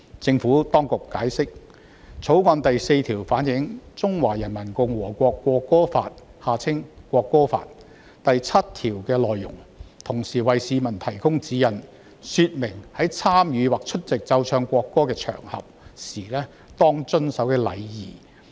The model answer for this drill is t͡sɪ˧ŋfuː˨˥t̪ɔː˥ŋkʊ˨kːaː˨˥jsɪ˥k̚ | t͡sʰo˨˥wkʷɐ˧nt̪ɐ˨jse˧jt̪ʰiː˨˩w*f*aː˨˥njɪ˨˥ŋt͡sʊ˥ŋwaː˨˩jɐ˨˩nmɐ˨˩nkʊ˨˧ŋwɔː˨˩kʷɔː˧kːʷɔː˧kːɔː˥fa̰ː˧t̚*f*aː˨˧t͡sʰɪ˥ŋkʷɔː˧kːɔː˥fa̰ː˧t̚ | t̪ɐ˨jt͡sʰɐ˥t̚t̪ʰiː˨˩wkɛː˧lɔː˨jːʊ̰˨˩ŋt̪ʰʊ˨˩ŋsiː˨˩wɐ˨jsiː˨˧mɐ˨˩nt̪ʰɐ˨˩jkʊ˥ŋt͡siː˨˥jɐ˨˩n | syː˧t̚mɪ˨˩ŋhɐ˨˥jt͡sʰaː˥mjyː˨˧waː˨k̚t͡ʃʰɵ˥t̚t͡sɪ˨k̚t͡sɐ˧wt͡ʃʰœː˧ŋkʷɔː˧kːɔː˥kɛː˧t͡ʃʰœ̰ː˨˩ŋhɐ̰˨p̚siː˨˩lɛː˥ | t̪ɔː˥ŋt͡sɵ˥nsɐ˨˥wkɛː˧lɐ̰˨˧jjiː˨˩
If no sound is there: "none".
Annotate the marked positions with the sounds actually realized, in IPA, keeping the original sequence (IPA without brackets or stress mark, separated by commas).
f, h